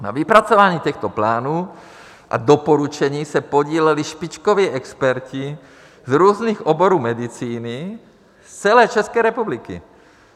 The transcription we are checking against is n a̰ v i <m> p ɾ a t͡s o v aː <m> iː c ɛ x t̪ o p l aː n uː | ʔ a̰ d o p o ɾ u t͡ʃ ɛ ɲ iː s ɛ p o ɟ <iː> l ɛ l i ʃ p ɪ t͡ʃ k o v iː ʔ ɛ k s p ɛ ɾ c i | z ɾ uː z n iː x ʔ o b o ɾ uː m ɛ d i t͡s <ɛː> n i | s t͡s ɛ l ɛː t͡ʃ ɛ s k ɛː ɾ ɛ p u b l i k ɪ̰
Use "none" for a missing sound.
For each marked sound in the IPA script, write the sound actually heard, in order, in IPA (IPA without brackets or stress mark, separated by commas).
none, ɲ, iː, iː